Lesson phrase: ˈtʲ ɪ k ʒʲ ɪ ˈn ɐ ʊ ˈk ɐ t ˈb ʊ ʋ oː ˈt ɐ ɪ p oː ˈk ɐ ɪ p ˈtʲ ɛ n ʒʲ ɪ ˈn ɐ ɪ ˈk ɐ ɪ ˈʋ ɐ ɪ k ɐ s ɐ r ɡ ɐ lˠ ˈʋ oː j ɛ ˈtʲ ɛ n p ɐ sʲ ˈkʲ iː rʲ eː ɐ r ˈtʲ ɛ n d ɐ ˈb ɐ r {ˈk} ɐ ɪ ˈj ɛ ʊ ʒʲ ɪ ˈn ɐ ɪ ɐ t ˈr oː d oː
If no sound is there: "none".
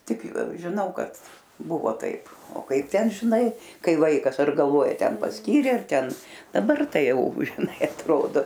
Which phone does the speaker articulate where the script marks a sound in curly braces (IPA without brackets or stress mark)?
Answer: t